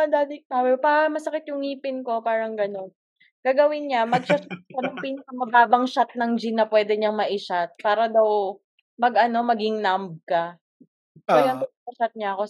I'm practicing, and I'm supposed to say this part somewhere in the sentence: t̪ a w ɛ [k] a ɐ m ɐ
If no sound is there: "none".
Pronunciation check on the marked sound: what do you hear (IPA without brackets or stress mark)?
p